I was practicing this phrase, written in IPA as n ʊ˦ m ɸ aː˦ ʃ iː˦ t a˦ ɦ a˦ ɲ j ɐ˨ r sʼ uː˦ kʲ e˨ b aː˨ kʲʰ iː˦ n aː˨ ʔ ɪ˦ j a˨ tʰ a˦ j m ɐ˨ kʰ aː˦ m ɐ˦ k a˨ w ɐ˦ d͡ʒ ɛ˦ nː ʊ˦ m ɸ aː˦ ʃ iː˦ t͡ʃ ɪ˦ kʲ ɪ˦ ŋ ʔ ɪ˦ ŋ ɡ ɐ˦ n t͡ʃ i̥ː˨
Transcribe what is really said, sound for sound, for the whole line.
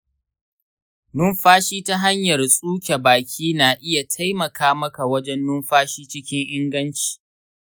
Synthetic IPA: n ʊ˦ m ɸ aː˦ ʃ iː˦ t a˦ ɦ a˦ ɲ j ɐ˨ r sʼ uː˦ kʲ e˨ b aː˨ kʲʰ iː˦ n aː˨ ʔ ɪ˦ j a˨ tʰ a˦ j m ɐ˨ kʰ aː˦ m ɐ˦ k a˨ w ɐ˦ d͡ʒ ɛ˦ nː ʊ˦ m ɸ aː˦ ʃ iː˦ t͡ʃ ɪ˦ kʲ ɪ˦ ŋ ʔ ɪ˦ ŋ ɡ ɐ˦ n t͡ʃ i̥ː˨